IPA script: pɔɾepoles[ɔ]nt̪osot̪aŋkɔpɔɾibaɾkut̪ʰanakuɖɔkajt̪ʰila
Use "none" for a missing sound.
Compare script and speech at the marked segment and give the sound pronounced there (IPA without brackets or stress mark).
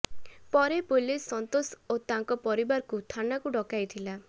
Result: ɔ